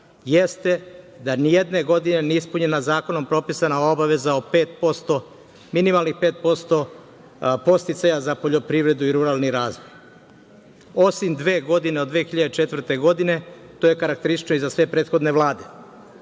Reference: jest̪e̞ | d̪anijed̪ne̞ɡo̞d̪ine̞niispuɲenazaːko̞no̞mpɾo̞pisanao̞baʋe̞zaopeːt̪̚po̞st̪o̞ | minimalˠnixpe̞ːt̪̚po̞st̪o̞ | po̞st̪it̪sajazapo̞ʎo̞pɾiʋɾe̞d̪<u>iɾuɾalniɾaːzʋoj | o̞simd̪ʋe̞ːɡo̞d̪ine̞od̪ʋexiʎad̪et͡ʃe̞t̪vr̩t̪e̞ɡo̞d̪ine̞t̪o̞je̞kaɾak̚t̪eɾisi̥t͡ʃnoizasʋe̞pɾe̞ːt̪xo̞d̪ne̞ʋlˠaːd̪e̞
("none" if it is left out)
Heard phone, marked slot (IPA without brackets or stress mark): u